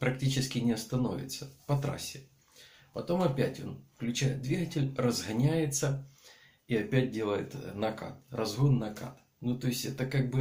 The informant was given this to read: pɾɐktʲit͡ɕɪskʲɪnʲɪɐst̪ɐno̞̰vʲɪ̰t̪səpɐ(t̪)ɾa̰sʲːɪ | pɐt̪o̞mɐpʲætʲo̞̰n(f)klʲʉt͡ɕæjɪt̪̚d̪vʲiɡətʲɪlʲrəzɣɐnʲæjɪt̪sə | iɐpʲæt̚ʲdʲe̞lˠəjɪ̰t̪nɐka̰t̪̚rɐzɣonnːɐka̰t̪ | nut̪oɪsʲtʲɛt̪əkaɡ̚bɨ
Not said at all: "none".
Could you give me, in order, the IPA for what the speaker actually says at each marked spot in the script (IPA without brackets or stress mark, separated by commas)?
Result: t̪, f